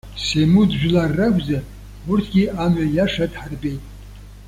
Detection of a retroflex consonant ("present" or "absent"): present